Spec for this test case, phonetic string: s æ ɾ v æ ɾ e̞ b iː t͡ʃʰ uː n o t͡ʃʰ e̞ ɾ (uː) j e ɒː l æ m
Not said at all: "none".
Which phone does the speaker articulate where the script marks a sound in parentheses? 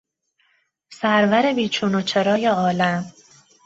ɒː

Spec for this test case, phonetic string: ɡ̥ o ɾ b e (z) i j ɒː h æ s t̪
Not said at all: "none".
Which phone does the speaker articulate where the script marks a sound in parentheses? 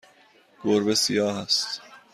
s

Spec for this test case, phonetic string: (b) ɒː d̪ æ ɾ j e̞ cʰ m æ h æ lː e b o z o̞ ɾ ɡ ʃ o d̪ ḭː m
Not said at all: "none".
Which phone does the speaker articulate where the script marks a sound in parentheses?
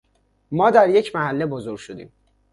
m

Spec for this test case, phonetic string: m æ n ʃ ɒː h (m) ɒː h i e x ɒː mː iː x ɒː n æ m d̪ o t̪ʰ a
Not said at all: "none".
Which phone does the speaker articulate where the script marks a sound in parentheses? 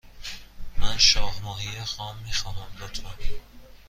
m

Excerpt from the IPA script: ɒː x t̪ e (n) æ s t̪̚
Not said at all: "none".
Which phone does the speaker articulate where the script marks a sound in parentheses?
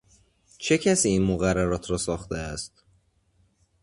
none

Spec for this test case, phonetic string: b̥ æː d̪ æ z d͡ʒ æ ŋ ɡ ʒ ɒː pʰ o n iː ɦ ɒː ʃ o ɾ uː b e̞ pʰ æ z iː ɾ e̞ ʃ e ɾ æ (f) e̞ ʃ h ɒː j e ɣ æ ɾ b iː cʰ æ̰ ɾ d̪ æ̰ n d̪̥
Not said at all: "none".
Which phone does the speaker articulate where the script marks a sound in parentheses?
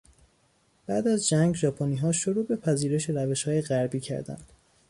v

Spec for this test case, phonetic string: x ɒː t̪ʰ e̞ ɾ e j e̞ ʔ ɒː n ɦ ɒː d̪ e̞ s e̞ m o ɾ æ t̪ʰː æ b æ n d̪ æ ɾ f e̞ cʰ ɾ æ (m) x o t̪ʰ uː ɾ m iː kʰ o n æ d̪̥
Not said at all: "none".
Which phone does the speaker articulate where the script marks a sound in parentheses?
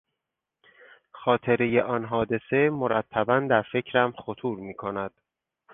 m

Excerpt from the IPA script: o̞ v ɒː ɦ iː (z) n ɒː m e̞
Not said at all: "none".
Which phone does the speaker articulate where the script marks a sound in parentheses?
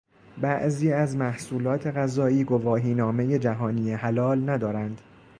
none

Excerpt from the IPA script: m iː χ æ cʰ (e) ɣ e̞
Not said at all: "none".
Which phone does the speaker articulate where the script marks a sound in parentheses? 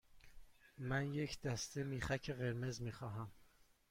e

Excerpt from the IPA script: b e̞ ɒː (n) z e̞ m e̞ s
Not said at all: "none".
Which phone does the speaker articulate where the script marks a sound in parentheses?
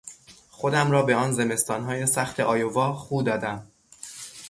n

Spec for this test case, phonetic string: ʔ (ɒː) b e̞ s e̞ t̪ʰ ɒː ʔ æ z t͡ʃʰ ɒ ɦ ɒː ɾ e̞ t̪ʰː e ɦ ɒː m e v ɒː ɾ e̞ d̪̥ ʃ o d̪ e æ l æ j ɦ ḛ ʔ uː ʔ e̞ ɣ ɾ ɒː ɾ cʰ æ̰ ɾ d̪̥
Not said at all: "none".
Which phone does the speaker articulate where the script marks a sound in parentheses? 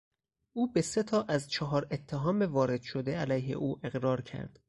uː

